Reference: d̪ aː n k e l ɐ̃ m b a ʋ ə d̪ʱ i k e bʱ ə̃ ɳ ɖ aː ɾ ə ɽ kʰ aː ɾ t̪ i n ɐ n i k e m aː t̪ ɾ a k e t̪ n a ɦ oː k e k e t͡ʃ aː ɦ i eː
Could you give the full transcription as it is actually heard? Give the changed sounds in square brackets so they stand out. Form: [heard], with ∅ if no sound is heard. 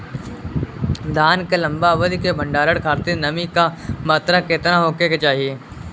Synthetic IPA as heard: d̪ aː n k e l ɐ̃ m b a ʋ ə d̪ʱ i k e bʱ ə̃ ɳ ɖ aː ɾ ə ɽ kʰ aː ɾ t̪ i n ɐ [m] i k [a] m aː t̪ ɾ a k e t̪ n a ɦ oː k e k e t͡ʃ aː ɦ i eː